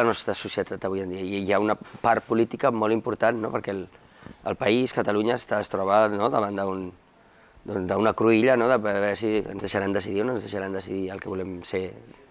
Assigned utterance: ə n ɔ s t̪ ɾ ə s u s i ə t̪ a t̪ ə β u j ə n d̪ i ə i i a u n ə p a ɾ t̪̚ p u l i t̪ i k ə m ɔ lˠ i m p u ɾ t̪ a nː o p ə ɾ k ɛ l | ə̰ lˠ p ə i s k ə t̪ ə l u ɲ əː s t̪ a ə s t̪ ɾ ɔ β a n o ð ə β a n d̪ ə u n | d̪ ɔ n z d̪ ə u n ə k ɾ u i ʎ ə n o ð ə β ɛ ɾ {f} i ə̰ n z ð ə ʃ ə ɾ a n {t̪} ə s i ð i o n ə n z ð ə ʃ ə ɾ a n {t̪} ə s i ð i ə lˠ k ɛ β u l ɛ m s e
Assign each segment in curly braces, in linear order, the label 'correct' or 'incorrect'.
incorrect: s, incorrect: d̪, incorrect: d̪

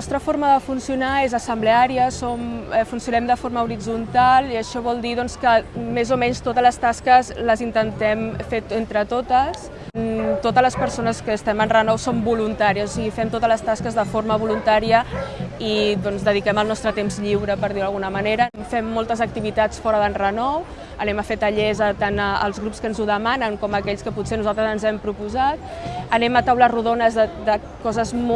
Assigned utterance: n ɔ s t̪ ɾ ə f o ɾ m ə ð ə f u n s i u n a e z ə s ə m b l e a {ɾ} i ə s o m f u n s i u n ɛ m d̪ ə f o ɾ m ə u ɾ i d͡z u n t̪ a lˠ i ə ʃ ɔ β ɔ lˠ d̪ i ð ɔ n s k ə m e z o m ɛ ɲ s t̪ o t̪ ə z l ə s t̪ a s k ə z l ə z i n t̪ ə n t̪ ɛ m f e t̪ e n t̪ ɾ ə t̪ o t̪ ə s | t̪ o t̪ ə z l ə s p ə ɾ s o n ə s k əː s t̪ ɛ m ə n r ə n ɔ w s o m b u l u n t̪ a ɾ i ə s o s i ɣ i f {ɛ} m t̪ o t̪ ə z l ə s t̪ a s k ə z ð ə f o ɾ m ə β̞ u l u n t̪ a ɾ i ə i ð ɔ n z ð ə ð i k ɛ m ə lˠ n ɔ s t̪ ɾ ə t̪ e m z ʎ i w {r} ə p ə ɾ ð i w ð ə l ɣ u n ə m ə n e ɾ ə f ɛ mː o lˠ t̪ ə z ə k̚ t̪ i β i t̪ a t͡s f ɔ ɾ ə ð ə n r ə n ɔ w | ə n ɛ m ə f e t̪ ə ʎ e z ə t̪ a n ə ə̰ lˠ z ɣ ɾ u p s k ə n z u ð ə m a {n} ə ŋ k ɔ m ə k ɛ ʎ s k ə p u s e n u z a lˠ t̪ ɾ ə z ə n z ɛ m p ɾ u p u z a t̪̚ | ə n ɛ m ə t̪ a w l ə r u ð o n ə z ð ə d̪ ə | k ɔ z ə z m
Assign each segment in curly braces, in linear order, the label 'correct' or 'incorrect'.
correct, correct, incorrect: ɾ, correct

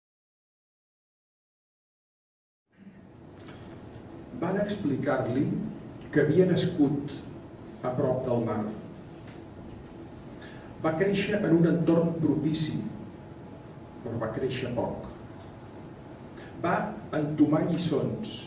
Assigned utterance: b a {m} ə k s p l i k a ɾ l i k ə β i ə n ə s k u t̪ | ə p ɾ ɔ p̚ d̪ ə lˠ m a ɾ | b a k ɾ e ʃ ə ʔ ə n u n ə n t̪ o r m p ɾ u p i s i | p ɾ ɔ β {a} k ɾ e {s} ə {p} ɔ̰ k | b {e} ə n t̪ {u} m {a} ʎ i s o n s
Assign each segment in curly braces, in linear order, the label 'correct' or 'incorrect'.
incorrect: n, correct, incorrect: ʃ, correct, incorrect: a, correct, correct

